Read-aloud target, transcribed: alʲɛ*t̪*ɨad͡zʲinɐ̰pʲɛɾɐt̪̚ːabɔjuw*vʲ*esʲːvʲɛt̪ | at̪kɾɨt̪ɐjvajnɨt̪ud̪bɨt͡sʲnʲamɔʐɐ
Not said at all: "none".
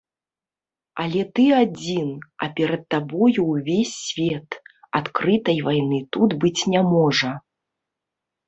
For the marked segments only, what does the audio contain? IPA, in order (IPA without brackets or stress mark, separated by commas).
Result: t̪, vʲ